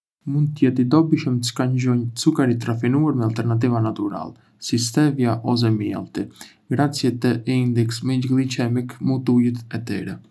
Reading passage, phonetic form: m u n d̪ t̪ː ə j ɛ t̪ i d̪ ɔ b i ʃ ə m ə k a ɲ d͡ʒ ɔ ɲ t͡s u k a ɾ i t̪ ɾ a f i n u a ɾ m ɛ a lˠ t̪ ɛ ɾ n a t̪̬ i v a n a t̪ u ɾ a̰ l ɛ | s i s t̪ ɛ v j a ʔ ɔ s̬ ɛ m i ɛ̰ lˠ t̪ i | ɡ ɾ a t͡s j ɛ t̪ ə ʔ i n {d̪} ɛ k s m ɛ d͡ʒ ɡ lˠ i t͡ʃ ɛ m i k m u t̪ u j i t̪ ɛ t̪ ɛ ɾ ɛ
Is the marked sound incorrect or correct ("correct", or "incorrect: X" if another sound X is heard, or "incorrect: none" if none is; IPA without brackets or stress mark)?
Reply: correct